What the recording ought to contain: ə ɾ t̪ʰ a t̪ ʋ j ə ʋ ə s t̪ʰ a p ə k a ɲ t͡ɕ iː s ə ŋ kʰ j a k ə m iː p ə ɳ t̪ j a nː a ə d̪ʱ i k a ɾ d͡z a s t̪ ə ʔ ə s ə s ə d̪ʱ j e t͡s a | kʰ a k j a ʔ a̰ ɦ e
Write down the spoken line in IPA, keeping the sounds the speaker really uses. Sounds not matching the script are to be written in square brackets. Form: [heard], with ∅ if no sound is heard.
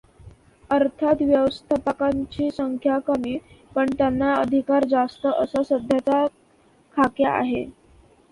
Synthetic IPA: ə ɾ t̪ʰ a t̪ ʋ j ə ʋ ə s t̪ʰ a p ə k a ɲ t͡ɕ iː s ə ŋ kʰ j a k ə m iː p ə ɳ t̪ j a nː a ə d̪ʱ i k a ɾ d͡z a s t̪ ə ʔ ə s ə s ə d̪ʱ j [a] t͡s a | kʰ a k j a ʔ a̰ ɦ e